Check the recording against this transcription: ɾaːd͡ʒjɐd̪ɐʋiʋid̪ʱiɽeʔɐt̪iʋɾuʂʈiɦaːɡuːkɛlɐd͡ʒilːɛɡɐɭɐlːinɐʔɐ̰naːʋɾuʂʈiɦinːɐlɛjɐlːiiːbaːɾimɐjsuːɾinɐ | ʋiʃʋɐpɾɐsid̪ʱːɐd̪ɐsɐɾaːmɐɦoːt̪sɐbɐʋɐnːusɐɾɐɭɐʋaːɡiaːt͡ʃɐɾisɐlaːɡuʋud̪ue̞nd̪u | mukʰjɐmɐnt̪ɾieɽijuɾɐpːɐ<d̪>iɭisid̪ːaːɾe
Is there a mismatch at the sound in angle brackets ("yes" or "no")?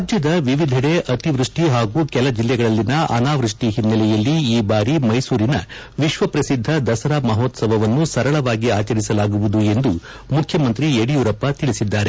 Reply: yes